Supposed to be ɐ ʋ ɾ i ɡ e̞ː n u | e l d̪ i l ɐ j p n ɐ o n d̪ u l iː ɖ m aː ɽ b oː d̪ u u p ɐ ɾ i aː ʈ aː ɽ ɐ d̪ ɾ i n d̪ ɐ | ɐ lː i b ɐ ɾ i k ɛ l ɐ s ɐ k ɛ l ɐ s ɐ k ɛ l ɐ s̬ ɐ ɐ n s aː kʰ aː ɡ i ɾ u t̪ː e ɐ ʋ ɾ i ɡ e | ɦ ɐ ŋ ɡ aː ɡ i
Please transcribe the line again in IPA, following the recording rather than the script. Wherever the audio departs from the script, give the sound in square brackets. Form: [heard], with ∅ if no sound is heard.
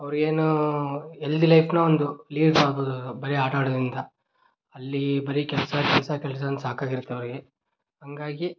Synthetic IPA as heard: ɐ ʋ ɾ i ɡ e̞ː n u | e l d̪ i l ɐ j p n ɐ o n d̪ u l iː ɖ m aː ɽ b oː d̪ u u [b] ɐ ɾ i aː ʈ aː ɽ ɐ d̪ ɾ i n d̪ ɐ | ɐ lː i b ɐ ɾ i k ɛ l ɐ s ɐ k ɛ l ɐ s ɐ k ɛ l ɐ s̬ ɐ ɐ n s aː [k] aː ɡ i ɾ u t̪ː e ɐ ʋ ɾ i ɡ e | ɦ ɐ ŋ ɡ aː ɡ i

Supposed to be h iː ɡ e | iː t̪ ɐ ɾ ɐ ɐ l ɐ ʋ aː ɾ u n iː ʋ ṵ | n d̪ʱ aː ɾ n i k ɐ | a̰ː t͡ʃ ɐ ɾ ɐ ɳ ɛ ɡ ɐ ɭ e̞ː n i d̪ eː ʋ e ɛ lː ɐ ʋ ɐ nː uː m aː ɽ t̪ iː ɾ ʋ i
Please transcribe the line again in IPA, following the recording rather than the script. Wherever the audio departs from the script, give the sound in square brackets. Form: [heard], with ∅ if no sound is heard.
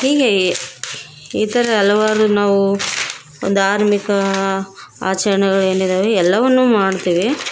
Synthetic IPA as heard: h iː ɡ e | iː t̪ ɐ ɾ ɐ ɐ l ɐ ʋ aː ɾ u n [aː] ʋ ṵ | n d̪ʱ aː ɾ [m] i k ɐ | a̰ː t͡ʃ ɐ ɾ ɐ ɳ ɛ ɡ ɐ ɭ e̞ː n i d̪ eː ʋ e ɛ lː ɐ ʋ ɐ nː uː m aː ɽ t̪ iː [∅] ʋ i

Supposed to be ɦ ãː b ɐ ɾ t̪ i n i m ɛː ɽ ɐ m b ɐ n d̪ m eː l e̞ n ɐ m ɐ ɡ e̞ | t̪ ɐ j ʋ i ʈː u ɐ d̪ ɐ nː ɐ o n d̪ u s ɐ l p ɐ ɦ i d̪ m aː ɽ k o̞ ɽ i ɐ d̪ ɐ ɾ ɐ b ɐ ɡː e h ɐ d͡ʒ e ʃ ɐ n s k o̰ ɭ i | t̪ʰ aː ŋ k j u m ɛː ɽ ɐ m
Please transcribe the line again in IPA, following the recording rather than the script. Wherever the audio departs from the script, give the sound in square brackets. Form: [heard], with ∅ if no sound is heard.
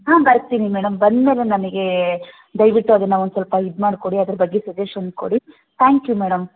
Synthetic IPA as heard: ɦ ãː b ɐ ɾ t̪ i n i m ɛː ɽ ɐ m b ɐ n d̪ m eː l e̞ n ɐ m ɐ ɡ e̞ | [d̪] ɐ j ʋ i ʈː u ɐ d̪ ɐ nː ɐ o n d̪ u s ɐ l p ɐ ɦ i d̪ m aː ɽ k o̞ ɽ i ɐ d̪ ɐ ɾ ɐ b ɐ ɡː e [s] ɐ d͡ʒ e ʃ ɐ n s k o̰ [ɽ] i | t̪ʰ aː ŋ k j u m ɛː ɽ ɐ m

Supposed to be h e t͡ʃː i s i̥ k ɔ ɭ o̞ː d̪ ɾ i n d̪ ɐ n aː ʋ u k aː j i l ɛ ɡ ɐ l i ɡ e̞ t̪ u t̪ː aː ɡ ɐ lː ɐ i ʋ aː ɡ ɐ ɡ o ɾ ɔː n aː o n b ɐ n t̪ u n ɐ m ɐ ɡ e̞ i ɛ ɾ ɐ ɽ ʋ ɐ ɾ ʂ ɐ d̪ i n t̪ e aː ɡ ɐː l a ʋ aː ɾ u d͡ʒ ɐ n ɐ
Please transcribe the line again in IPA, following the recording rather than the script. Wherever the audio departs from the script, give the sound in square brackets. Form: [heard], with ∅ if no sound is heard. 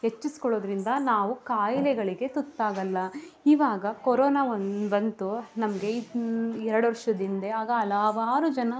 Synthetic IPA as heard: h e t͡ʃː i s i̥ k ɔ ɭ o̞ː d̪ ɾ i n d̪ ɐ n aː ʋ u k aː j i l ɛ ɡ ɐ [ɭ] i ɡ e̞ t̪ u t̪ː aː ɡ ɐ lː ɐ i ʋ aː ɡ ɐ [k] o ɾ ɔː n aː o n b ɐ n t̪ u n ɐ m ɐ ɡ e̞ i ɛ ɾ ɐ ɽ ʋ ɐ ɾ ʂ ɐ d̪ i n [d̪] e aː ɡ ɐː l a ʋ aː ɾ u d͡ʒ ɐ n ɐ

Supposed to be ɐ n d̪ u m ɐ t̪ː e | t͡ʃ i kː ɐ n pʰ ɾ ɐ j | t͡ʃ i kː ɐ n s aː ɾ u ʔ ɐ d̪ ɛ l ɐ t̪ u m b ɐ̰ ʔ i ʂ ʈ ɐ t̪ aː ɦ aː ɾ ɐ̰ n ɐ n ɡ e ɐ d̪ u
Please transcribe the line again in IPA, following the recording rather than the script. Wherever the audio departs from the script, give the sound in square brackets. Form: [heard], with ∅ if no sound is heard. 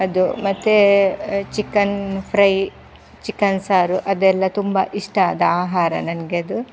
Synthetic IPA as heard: ɐ [∅] d̪ u m ɐ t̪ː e | t͡ʃ i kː ɐ n pʰ ɾ ɐ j | t͡ʃ i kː ɐ n s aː ɾ u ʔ ɐ d̪ ɛ [lː] ɐ t̪ u m b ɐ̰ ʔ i ʂ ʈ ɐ [d̪] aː ɦ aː ɾ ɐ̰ n ɐ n ɡ e ɐ d̪ u

